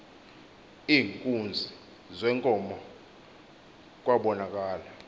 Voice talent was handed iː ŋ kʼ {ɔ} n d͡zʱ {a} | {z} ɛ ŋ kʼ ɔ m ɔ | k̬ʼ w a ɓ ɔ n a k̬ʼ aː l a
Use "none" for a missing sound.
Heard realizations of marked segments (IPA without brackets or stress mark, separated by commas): u, i, z